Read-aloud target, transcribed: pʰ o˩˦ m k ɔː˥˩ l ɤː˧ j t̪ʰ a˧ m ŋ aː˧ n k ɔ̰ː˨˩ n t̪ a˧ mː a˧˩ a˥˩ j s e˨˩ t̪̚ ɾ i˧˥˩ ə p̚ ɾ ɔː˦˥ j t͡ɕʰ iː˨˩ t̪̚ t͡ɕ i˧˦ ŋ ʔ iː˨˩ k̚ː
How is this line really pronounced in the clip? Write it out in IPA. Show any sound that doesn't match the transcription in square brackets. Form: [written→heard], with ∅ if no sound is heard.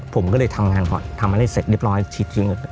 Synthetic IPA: pʰ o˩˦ m k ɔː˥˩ l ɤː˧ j t̪ʰ a˧ m ŋ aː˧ n k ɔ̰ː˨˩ n [t̪→t̪ʰ] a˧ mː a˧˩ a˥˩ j s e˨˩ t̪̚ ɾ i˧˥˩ ə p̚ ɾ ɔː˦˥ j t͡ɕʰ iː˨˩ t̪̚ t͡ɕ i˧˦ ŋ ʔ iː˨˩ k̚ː